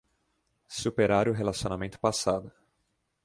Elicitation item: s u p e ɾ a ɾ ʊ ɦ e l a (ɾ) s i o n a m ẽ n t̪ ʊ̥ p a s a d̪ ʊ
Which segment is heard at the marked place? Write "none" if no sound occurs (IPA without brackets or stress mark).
none